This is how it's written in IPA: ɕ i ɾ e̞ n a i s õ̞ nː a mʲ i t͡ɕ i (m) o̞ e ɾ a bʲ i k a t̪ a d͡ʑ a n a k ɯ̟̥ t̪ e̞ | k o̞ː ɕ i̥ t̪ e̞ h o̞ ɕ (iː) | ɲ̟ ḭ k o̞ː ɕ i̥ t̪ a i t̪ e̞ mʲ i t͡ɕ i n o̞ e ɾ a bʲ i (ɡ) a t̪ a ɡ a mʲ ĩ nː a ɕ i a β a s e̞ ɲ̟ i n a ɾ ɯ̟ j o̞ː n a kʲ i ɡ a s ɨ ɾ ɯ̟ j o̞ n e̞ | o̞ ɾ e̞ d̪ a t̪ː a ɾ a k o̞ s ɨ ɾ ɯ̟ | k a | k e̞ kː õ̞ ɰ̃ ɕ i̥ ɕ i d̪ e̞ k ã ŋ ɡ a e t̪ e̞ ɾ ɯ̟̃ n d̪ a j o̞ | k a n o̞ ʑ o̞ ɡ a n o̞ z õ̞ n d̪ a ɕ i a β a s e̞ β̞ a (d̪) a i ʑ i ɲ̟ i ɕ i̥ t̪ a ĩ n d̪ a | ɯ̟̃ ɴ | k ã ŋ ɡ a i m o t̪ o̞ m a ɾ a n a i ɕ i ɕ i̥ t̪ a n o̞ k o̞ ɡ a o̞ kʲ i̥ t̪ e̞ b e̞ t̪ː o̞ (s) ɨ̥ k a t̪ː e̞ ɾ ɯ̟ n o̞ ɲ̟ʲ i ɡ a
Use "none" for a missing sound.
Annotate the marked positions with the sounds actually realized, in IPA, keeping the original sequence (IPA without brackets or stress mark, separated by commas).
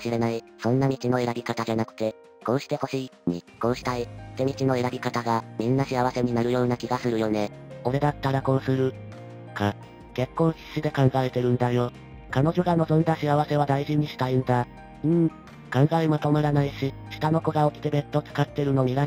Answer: n, iː, k, d̪, t͡s